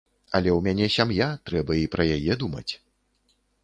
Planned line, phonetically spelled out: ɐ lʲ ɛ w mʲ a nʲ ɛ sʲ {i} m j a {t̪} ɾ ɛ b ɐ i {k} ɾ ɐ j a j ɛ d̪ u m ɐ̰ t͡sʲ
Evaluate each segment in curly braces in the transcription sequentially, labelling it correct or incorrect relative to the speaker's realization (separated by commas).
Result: incorrect, correct, incorrect